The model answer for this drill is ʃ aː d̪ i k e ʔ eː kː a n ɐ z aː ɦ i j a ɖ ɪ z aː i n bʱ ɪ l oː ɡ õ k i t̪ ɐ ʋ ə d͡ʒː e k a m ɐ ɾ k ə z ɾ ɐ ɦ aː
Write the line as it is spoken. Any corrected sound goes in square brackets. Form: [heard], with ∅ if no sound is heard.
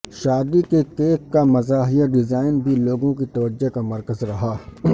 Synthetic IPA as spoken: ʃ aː d̪ i k e [k] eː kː a [m] ɐ z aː ɦ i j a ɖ ɪ z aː [ɪ] n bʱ [i] l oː ɡ õ k i t̪ ɐ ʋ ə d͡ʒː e k a m ɐ ɾ k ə z ɾ ɐ ɦ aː